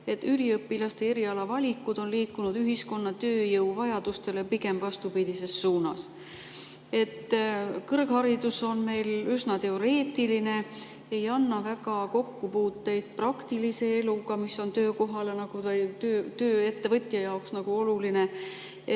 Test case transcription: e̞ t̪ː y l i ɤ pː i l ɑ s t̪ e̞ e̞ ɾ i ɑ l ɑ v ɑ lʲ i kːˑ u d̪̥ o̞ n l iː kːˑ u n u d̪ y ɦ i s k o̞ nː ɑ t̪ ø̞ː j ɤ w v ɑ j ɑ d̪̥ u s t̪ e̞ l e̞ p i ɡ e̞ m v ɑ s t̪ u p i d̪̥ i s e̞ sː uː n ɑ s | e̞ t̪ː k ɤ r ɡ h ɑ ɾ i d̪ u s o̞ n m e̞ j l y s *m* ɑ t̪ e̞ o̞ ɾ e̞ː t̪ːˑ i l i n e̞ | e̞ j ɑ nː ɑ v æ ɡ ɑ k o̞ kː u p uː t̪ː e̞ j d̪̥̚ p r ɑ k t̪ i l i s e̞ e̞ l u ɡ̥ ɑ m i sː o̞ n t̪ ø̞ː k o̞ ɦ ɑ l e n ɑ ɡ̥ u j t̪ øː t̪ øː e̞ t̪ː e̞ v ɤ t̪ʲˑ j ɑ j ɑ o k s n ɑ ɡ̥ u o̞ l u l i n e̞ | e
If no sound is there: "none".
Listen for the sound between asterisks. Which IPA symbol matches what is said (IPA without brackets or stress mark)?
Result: n